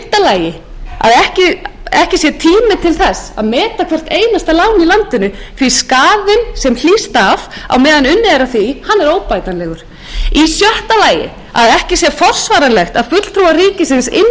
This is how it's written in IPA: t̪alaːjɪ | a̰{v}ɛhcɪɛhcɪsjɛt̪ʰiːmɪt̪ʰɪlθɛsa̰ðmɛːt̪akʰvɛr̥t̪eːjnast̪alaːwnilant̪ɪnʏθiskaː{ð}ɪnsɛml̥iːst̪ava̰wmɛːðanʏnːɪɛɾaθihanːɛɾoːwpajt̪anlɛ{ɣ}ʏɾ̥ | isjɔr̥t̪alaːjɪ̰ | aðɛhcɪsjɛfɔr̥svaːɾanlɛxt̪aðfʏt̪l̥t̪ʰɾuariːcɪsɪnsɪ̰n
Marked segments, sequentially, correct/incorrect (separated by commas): incorrect, correct, correct